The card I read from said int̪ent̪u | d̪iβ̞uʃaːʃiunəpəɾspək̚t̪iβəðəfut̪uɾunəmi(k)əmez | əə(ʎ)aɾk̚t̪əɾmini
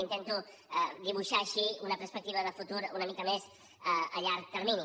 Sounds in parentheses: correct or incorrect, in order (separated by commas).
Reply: correct, correct